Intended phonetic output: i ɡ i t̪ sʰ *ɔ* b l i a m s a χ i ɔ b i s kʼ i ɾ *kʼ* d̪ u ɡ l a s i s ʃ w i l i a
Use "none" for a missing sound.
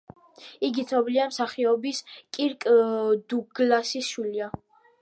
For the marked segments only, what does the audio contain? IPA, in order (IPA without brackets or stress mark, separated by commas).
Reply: ɔ, kʼ